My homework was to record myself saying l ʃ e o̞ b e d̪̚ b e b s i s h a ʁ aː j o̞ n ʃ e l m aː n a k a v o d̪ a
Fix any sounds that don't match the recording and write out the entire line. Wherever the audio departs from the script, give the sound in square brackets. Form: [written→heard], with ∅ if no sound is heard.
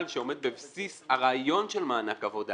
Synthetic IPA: l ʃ e o̞ [b→m] e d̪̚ b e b s i s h a ʁ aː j o̞ n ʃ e l m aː n a k a v o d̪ a